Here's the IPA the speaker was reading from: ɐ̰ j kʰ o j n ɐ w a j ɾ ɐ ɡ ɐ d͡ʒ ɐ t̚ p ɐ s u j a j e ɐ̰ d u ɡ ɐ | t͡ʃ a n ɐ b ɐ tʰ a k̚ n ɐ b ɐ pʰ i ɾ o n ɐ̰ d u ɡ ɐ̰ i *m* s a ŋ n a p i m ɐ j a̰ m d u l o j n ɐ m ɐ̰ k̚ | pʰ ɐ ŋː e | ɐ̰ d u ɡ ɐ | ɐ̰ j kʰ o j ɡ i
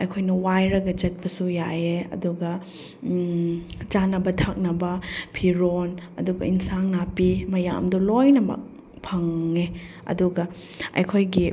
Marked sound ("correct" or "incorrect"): incorrect